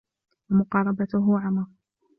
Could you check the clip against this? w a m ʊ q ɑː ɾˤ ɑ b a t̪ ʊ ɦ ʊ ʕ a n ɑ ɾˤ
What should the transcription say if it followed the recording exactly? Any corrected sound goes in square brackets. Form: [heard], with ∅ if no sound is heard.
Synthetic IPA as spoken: w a m ʊ q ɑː ɾˤ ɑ b a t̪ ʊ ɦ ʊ ʕ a [m] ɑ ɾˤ